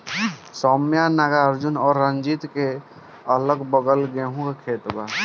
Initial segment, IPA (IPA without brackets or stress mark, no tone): s